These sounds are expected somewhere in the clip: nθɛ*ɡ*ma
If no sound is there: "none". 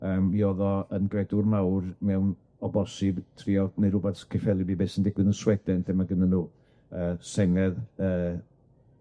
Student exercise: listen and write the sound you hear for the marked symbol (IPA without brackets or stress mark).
none